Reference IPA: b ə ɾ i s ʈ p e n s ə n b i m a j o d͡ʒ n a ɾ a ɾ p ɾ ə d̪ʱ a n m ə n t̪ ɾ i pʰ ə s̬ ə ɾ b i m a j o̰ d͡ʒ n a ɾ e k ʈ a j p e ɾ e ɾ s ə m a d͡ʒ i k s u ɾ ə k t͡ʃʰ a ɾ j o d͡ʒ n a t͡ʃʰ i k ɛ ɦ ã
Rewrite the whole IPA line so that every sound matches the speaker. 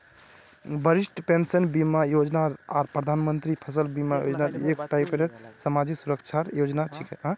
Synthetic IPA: b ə ɾ i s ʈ p e n s ə n b i m a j o d͡ʒ n a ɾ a ɾ p ɾ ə d̪ʱ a n m ə n t̪ ɾ i pʰ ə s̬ ə l b i m a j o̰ d͡ʒ n a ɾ e k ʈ a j p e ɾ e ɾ s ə m a d͡ʒ i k s u ɾ ə k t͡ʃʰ a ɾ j o d͡ʒ n a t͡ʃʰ i k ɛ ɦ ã